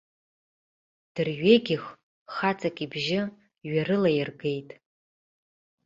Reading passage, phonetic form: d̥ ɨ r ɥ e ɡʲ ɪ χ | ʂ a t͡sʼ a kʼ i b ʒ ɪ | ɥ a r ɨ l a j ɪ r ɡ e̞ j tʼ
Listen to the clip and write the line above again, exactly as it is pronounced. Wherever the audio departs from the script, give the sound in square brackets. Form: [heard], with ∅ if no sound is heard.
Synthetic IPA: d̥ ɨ r ɥ e ɡʲ ɪ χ | [χ] a t͡sʼ a kʼ i b ʒ ɪ | ɥ a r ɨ l a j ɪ r ɡ e̞ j tʼ